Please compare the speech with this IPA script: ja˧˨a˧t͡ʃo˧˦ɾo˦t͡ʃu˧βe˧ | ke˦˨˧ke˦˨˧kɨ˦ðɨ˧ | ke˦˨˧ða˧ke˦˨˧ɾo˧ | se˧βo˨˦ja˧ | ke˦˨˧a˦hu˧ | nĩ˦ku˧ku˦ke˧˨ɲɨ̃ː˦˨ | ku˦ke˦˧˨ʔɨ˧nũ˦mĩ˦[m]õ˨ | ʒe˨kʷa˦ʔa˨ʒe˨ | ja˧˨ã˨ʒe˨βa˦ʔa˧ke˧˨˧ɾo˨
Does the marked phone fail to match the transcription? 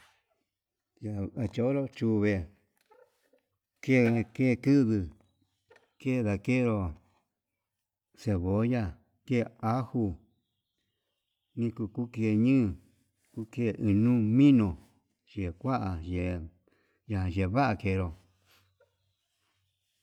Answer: yes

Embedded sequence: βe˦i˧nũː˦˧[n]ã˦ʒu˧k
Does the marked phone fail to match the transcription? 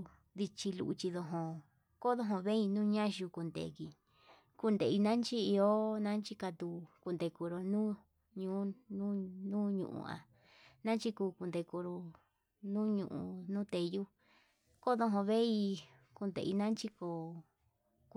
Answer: yes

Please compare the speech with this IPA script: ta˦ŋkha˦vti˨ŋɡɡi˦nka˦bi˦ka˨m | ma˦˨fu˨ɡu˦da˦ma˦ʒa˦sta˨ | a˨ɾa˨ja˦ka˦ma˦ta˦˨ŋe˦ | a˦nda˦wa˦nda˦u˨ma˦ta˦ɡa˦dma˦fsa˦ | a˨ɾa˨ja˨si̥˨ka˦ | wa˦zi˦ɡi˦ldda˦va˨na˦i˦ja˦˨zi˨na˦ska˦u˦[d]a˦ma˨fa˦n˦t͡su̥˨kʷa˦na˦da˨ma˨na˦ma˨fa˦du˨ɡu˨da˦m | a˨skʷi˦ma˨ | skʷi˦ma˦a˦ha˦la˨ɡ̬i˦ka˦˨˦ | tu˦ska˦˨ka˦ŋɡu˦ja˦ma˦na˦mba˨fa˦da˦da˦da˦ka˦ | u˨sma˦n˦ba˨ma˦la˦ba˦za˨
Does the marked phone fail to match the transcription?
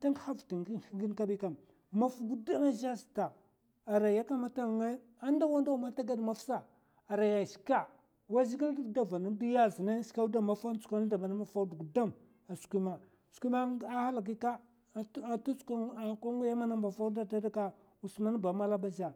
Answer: no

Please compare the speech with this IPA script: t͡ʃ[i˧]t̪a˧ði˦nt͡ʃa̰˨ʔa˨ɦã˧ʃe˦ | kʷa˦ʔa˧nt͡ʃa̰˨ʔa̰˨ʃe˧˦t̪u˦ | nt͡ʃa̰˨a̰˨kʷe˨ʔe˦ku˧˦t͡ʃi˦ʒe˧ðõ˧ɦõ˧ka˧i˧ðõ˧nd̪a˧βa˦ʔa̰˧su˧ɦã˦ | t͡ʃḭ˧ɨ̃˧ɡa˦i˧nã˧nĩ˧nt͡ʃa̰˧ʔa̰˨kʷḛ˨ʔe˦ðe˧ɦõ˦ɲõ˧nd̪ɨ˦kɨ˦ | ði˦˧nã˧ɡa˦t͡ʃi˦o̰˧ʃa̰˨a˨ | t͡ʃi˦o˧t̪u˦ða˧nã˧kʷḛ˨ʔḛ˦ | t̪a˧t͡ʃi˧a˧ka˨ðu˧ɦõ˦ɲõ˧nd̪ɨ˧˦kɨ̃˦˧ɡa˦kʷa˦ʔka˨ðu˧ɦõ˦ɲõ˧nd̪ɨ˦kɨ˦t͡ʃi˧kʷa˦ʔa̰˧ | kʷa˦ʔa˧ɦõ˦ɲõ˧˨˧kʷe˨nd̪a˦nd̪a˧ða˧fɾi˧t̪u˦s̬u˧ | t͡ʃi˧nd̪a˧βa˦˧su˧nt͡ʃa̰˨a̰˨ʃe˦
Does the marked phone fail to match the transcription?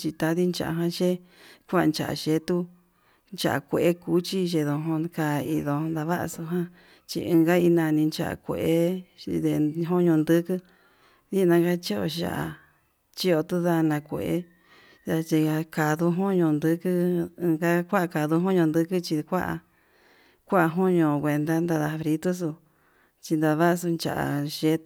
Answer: no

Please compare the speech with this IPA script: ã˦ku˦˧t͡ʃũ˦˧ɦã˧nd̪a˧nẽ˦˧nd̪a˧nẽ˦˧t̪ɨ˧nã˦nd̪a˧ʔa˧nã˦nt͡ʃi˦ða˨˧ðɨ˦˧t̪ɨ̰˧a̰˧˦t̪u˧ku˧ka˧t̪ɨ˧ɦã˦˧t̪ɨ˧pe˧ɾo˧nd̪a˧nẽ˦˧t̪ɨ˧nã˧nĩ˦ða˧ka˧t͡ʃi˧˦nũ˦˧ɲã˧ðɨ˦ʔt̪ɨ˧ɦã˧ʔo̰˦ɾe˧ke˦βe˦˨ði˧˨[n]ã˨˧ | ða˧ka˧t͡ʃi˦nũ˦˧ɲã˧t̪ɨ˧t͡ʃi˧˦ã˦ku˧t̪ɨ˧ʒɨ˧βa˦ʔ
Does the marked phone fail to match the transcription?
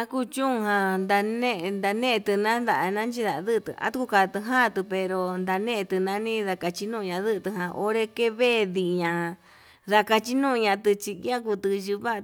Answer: yes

